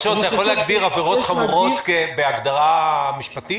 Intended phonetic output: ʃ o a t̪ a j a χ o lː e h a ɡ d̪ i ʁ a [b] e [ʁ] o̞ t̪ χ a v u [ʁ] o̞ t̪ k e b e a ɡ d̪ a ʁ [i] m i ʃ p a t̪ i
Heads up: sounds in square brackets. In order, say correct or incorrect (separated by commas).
incorrect, correct, correct, incorrect